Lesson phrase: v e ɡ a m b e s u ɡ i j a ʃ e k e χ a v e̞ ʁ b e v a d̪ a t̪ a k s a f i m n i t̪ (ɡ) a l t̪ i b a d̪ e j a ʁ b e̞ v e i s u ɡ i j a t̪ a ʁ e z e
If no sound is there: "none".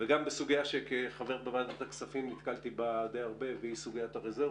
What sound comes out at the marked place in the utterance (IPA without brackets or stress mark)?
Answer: k